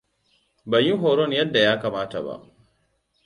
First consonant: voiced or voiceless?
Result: voiced